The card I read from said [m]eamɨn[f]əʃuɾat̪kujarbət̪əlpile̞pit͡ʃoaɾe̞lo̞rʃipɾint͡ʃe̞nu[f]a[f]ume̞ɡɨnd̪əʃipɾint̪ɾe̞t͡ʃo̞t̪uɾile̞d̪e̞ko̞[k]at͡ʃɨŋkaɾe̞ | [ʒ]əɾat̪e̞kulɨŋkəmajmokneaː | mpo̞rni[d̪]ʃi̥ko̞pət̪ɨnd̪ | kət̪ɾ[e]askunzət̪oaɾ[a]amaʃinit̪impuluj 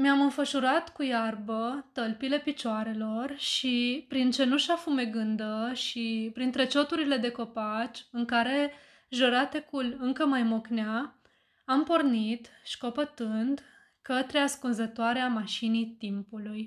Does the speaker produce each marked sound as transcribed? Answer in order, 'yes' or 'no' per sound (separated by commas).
yes, yes, no, yes, no, yes, no, yes, no